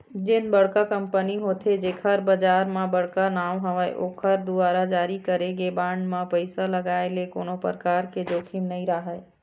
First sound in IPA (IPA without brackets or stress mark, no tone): d͡ʒ